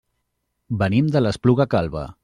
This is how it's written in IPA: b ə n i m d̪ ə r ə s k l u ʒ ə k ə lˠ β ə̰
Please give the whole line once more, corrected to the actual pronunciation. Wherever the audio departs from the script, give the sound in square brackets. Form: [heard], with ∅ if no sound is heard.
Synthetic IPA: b ə n i m d̪ ə [l] ə s [p] l u [ɣ] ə k [a] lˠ β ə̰